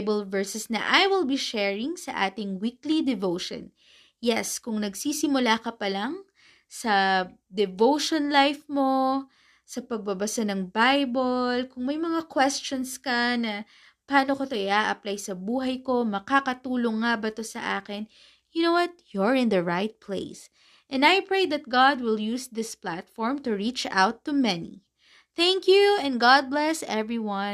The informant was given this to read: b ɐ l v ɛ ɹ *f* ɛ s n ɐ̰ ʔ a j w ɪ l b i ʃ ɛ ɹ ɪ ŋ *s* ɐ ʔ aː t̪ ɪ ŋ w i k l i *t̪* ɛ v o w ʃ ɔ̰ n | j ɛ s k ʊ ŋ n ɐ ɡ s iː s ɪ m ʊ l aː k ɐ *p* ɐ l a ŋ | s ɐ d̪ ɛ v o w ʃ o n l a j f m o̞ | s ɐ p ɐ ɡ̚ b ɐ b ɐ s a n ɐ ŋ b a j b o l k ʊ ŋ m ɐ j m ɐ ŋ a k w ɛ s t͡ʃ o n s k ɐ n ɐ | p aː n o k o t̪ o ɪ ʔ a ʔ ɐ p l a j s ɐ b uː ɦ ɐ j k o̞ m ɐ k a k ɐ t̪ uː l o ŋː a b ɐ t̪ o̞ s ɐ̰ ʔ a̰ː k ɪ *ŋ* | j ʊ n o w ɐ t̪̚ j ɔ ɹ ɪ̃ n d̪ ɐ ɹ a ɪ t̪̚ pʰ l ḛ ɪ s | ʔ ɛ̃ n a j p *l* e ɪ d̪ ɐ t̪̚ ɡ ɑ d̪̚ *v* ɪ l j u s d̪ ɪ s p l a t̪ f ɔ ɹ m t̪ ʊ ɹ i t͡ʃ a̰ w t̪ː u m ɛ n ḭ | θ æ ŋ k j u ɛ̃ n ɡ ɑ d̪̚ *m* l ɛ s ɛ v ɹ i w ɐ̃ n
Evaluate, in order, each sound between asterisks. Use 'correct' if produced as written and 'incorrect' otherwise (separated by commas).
incorrect, correct, incorrect, correct, incorrect, incorrect, incorrect, incorrect